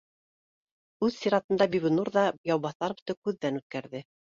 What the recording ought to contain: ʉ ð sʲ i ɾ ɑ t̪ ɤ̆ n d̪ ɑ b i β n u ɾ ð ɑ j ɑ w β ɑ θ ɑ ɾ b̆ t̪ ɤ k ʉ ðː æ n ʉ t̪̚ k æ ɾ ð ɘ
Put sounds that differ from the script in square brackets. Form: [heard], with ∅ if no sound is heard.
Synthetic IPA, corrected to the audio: ʉ ð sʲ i ɾ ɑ t̪ ɤ̆ n d̪ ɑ b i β n u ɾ ð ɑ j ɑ w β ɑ θ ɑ ɾ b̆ t̪ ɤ k ʉ ðː æ n ʉ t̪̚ k æ ɾ ð ɘ